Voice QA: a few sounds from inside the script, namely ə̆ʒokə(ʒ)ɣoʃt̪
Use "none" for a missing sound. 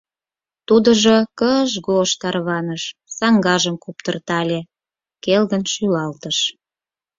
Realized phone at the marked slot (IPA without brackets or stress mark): ʒ